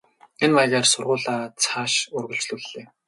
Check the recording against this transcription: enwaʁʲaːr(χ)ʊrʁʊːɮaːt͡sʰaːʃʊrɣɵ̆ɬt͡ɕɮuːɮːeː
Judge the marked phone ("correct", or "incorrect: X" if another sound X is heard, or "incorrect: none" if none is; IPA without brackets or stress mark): incorrect: s